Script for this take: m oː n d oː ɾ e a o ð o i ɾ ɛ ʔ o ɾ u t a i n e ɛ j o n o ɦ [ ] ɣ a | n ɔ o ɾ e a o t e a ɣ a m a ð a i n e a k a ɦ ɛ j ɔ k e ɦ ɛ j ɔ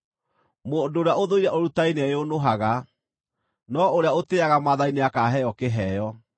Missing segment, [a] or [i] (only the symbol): a